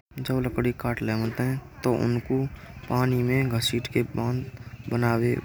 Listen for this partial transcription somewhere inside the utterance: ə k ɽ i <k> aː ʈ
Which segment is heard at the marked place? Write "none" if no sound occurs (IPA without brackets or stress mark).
k